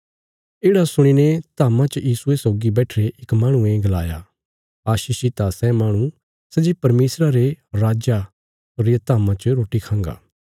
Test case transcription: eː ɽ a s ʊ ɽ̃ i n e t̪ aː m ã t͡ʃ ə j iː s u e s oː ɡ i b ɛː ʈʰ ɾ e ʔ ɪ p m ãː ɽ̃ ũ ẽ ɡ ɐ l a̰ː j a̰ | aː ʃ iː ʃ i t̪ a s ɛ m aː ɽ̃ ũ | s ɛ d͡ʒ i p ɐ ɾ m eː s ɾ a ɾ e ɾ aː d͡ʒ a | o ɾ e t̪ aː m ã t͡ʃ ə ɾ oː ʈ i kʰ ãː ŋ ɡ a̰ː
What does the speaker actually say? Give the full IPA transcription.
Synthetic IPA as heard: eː ɽ a s ʊ ɽ̃ i n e t̪ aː m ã t͡ʃ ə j iː s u e s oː ɡ i b ɛː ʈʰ ɾ e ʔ ɪ k m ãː ɽ̃ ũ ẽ ɡ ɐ l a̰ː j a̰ | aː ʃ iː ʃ i t̪ a s ɛ m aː ɽ̃ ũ | s ɛ d͡ʒ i p ɐ ɾ m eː s ɾ a ɾ e ɾ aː d͡ʒ a | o ɾ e t̪ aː m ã t͡ʃ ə ɾ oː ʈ i kʰ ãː ŋ ɡ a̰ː